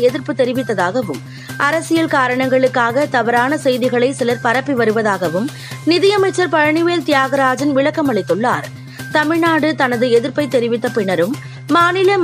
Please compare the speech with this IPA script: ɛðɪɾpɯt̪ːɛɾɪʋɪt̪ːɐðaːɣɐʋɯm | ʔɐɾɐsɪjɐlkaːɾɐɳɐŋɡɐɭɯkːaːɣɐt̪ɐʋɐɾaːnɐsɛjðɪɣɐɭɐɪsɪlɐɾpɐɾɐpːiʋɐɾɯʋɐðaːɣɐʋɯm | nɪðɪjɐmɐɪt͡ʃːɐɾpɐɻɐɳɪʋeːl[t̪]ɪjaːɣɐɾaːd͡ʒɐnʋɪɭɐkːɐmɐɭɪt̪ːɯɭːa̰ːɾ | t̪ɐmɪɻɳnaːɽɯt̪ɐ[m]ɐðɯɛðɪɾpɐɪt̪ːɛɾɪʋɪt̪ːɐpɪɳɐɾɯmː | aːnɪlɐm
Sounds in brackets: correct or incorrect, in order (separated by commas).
correct, incorrect